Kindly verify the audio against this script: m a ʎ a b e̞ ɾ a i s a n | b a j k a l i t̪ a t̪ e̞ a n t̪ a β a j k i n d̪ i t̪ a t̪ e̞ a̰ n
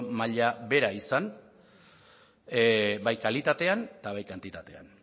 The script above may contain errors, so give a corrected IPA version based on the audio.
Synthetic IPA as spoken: m a ʎ a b e̞ ɾ a i s a n | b a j k a l i t̪ a t̪ e̞ a n t̪ a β a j k a n t̪ i t̪ a t̪ e̞ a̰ n